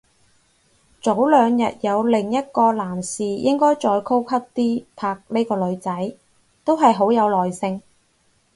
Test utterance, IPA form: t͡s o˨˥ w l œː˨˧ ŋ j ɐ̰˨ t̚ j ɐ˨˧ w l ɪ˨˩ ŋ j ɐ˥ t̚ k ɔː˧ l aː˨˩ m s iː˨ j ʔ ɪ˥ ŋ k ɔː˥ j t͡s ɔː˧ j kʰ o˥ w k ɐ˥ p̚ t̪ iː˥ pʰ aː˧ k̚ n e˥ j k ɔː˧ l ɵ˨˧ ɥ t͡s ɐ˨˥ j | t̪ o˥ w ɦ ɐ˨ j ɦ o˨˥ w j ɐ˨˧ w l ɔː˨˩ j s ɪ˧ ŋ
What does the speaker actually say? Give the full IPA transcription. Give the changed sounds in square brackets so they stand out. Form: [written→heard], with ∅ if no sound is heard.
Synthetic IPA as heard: t͡s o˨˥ w l œː˨˧ ŋ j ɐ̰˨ t̚ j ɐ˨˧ w l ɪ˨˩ ŋ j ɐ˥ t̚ k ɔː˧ l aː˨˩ m s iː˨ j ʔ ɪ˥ ŋ k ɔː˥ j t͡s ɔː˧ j kʰ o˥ w [k→kʰ] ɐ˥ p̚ t̪ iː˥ pʰ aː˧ k̚ n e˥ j k ɔː˧ l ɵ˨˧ ɥ t͡s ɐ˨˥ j | t̪ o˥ w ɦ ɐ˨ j ɦ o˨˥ w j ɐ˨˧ w l ɔː˨˩ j s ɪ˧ ŋ